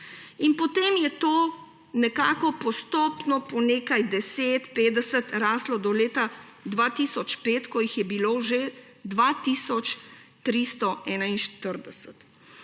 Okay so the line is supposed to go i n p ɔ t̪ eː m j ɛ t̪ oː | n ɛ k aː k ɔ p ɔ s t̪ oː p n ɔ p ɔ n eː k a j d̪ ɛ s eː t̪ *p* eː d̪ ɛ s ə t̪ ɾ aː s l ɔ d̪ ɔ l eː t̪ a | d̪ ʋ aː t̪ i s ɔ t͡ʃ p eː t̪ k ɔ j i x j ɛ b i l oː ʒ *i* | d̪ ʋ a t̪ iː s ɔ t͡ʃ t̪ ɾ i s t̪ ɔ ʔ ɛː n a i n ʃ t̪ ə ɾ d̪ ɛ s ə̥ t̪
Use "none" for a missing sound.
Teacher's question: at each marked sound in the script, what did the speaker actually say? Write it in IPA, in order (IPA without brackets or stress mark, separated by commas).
p, e